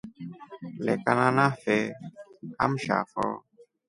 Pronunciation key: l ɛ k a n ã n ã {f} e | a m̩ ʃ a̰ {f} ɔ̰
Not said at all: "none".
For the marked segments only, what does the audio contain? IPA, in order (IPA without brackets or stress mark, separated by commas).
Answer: f, f